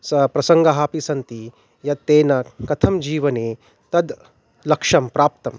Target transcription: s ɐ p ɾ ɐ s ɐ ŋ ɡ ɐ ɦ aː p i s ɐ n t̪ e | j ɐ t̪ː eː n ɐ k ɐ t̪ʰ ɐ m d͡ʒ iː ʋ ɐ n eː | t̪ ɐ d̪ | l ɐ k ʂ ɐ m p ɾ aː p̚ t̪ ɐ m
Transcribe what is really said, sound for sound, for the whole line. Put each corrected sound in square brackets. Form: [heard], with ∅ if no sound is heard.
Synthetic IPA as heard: s ɐ p ɾ ɐ s ɐ ŋ ɡ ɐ ɦ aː p i s ɐ n t̪ [i] | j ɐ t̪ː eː n ɐ k ɐ t̪ʰ ɐ m d͡ʒ iː ʋ ɐ n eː | t̪ ɐ d̪ | l ɐ k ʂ ɐ m p ɾ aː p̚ t̪ ɐ m